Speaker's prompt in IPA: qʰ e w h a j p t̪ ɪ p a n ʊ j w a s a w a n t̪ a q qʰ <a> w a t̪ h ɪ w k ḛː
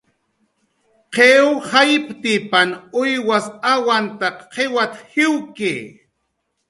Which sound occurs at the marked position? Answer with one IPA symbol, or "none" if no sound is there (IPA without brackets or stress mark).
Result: e